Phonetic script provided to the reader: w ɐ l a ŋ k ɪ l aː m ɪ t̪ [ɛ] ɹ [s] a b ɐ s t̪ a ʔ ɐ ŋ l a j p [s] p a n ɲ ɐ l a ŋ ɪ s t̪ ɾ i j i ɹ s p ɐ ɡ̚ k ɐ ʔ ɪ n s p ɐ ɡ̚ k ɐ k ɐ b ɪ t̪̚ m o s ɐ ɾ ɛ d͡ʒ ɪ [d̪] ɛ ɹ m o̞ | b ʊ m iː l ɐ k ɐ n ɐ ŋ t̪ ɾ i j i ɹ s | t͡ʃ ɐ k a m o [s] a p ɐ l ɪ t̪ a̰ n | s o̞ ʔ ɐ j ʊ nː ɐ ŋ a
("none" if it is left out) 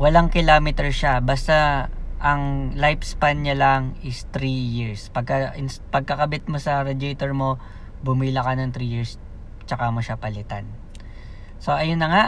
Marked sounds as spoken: ɛ, ʃ, s, t̪, ʃ

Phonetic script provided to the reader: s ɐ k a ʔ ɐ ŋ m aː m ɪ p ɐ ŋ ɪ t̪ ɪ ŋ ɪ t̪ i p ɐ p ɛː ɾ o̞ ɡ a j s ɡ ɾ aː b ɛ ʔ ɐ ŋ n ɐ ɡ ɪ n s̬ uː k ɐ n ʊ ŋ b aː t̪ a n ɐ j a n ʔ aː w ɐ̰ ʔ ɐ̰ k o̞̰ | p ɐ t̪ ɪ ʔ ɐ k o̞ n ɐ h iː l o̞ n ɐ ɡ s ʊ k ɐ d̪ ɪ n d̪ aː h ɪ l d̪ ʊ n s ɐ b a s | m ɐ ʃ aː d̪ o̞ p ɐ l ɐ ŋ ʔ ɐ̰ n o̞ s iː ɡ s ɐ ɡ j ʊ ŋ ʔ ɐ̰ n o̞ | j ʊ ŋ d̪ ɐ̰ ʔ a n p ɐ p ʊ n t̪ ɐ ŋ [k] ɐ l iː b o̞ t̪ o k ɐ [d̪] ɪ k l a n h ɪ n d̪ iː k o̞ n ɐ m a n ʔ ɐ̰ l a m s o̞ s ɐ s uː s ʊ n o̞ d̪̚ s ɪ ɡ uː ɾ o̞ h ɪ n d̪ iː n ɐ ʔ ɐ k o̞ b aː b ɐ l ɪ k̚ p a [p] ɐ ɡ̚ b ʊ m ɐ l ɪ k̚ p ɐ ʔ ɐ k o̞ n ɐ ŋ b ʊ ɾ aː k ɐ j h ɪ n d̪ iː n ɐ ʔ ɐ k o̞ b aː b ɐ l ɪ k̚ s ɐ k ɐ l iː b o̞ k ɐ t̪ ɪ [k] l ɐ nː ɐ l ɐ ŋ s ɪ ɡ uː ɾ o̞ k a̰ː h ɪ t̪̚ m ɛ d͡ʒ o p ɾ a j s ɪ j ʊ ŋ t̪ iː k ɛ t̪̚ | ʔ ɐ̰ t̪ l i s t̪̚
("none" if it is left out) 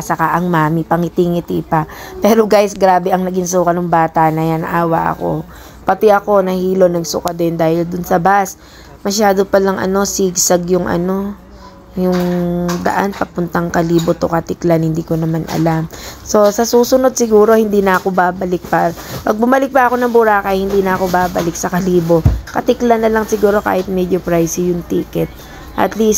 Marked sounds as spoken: k, t̪, p, k

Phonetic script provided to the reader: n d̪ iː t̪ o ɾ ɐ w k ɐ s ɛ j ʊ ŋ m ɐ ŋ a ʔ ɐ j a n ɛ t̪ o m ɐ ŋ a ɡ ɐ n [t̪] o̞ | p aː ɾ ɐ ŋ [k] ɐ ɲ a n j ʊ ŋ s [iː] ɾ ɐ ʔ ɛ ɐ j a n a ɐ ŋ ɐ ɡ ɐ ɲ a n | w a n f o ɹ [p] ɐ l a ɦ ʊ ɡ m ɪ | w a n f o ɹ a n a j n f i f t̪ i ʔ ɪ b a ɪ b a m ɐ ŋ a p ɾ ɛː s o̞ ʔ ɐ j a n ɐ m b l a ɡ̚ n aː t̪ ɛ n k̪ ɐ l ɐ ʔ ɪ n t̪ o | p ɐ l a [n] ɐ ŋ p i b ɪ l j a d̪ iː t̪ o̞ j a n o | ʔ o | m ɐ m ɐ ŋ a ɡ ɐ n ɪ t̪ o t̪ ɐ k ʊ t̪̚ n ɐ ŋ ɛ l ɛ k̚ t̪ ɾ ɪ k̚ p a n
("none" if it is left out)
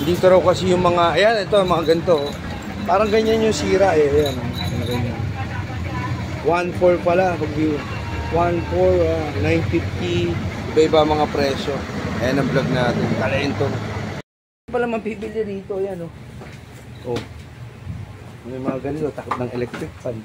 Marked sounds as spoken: t̪, ɡ, iː, p, m

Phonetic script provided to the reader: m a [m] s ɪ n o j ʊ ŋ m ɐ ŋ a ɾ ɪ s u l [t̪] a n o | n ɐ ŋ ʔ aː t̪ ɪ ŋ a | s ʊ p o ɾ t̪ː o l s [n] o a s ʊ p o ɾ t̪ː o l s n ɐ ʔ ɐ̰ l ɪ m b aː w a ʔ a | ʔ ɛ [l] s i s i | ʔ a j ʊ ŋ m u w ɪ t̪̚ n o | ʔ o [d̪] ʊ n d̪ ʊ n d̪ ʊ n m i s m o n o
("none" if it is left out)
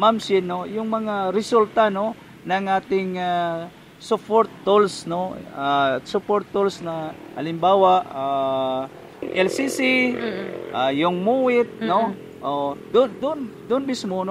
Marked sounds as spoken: m, t̪, n, l, d̪

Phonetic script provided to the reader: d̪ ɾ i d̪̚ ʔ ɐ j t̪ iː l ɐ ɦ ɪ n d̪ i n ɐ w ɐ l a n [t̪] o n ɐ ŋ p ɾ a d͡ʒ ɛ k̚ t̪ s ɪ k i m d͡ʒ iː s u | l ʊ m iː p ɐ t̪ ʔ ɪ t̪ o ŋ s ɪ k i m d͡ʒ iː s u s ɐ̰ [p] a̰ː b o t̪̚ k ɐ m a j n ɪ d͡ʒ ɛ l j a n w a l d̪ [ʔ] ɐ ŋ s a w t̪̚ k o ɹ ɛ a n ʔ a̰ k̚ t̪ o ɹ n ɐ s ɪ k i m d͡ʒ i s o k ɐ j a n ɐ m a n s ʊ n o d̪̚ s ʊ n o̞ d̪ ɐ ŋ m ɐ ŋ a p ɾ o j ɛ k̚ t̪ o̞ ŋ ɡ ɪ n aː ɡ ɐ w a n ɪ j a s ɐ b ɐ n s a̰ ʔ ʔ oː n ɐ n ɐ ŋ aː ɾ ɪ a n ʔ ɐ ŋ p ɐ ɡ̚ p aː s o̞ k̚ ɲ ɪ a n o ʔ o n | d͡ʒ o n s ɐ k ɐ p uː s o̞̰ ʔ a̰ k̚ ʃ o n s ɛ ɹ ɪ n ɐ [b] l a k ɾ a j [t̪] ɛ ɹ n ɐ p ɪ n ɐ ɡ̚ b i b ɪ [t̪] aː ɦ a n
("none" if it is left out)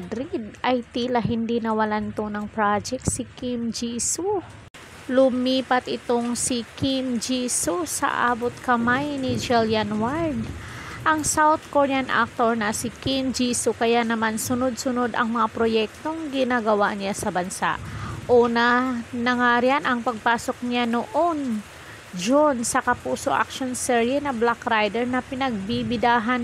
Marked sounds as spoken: t̪, ʔ, ʔ, b, d̪, d̪

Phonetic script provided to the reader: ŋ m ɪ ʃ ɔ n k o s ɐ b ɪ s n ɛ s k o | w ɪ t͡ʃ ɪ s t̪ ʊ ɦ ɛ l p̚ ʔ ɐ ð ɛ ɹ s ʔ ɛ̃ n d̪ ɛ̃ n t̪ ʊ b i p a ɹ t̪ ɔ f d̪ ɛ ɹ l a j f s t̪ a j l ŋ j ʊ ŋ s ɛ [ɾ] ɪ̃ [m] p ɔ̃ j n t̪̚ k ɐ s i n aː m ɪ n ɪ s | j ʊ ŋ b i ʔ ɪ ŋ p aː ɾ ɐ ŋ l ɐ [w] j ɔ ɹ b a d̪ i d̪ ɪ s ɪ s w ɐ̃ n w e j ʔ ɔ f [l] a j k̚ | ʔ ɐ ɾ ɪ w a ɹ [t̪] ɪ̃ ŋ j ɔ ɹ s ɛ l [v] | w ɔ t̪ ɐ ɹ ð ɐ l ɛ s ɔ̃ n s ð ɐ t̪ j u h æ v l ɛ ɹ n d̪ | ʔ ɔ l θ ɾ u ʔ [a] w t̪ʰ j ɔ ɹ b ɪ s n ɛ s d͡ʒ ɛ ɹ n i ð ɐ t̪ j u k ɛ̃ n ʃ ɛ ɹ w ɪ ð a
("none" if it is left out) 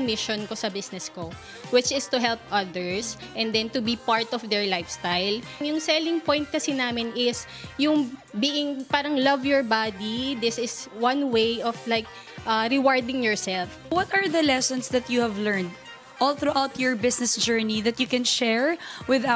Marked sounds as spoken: l, ŋ, v, l, d̪, f, a

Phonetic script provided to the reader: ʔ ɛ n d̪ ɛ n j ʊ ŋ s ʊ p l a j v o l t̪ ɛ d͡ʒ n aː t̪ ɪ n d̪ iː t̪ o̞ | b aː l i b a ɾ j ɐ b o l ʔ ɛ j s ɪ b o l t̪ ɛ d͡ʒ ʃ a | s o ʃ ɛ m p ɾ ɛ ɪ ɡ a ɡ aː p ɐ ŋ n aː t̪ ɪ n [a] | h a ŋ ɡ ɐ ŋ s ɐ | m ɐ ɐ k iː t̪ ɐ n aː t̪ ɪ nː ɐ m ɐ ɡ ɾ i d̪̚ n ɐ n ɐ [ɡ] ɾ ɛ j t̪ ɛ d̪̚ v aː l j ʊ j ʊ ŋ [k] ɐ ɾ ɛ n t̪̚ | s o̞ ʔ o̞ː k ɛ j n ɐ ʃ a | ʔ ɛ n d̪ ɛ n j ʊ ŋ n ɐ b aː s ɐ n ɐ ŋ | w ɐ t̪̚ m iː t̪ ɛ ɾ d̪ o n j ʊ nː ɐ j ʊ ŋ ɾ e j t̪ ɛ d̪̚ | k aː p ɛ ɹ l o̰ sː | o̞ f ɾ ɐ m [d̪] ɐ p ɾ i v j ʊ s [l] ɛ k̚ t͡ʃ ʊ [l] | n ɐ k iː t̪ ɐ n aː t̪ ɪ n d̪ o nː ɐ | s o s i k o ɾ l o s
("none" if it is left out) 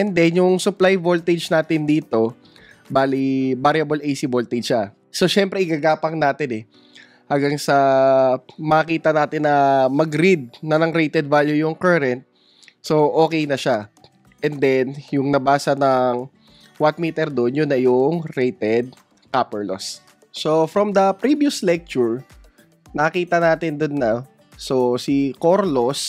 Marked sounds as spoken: ɛ, ŋ, k, d̪, l, ɹ

